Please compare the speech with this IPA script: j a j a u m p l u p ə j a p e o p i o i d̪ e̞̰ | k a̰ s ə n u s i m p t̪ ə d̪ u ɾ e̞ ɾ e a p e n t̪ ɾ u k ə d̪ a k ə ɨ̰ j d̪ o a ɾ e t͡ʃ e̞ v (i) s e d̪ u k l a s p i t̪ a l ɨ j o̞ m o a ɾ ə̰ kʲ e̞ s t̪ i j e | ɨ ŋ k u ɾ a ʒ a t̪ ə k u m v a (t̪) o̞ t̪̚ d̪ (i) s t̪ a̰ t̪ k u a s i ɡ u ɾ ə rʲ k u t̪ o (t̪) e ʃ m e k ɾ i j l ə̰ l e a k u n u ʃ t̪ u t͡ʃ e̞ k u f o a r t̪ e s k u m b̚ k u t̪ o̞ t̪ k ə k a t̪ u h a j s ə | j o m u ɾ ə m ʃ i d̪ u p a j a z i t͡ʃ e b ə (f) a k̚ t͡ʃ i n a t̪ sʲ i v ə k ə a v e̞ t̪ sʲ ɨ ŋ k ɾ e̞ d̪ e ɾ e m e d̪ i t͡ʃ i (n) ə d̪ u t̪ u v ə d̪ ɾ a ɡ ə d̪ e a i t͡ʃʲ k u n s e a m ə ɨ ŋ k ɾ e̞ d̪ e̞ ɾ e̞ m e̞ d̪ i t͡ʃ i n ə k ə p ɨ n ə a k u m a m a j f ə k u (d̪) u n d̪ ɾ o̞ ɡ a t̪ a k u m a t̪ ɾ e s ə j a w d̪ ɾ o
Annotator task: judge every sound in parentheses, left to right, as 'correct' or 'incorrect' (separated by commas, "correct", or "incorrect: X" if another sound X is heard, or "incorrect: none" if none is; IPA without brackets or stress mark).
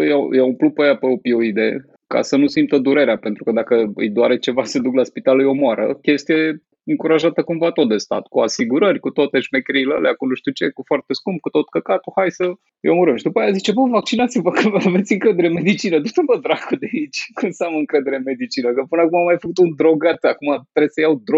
incorrect: a, correct, incorrect: e, correct, incorrect: v, correct, incorrect: t̪